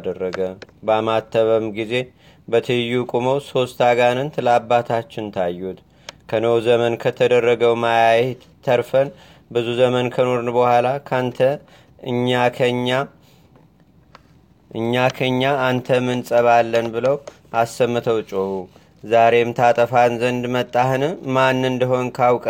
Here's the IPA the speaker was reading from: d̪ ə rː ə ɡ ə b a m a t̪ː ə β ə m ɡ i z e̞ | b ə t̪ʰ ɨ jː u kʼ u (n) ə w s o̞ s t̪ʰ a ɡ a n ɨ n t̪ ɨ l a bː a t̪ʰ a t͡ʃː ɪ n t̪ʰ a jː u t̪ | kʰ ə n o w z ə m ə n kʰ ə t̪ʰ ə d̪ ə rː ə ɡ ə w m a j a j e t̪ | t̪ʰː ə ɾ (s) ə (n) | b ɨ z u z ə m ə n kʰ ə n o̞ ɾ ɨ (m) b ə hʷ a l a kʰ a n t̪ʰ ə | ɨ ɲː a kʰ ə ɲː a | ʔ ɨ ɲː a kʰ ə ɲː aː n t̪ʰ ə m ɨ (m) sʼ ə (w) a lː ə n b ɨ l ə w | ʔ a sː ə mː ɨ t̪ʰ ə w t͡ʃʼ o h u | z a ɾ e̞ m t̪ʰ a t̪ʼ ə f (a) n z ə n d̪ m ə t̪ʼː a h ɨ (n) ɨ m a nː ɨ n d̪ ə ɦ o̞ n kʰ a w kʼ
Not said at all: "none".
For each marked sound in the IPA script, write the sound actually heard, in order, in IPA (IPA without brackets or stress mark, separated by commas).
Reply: m, f, n, n, n, β, a, n